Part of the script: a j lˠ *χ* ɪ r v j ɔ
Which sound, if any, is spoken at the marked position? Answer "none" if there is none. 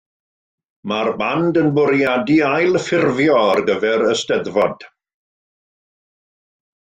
f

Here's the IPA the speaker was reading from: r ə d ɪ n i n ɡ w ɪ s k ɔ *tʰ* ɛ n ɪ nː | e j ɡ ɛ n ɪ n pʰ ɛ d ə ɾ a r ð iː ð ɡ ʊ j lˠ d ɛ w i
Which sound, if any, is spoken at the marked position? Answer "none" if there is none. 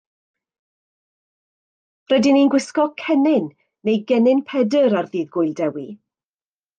kʰ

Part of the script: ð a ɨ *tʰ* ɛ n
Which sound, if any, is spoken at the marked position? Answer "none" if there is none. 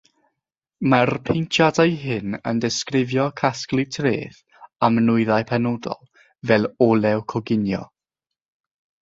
pʰ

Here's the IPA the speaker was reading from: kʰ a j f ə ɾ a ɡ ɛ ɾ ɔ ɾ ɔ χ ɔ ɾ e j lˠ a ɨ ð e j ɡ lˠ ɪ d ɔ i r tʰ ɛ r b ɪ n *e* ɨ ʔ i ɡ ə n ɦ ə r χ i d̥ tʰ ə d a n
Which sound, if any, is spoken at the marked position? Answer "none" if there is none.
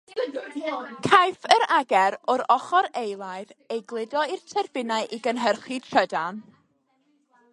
a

